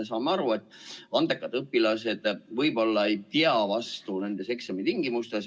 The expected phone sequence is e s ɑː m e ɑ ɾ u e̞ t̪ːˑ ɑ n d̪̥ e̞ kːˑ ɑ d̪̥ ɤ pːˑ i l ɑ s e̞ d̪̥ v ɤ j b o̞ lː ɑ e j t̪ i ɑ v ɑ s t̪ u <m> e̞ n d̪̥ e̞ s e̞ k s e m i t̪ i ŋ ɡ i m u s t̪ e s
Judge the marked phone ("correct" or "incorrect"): incorrect